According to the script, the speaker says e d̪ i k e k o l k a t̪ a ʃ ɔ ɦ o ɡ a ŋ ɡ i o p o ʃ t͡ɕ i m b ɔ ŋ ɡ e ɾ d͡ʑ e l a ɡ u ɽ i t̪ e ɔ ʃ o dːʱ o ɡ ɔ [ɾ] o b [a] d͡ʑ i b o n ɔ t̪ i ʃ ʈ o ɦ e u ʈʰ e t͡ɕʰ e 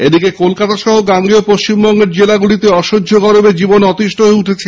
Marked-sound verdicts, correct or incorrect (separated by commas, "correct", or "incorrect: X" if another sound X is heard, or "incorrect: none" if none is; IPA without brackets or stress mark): correct, incorrect: e